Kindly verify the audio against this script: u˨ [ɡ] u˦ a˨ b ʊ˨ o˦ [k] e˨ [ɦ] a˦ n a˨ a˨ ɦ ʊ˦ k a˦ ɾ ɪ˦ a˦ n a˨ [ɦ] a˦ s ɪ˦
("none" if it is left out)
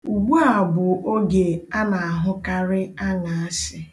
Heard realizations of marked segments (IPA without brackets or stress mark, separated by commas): ɡ͡b, ɡ, none, none